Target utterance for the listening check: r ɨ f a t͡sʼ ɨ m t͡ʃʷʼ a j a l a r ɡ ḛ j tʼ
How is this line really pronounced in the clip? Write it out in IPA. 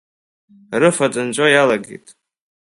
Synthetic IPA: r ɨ f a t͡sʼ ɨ n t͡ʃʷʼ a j a l a ɡ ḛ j tʼ